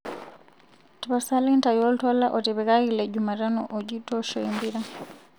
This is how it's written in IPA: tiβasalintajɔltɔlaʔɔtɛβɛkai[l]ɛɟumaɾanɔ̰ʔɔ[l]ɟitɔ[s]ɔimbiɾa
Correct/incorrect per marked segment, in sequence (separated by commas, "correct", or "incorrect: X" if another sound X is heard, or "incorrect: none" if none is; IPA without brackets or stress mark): correct, incorrect: none, incorrect: ʃ